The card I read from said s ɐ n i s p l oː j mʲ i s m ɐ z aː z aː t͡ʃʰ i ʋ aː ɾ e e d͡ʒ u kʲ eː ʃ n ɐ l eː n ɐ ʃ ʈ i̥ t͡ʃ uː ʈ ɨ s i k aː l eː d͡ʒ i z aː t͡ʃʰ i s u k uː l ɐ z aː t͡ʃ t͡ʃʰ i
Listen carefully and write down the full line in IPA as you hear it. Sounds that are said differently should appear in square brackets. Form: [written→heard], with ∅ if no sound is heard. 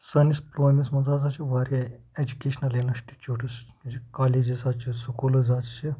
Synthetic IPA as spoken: s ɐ n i s p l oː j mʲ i s m ɐ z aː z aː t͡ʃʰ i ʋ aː ɾ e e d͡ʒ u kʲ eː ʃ n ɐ l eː n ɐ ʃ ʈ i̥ t͡ʃ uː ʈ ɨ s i k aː l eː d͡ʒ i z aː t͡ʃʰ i s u k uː l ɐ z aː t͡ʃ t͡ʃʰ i